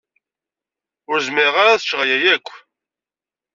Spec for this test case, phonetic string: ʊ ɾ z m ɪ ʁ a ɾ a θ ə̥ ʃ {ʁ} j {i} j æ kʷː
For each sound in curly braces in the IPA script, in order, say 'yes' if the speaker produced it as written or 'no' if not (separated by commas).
yes, no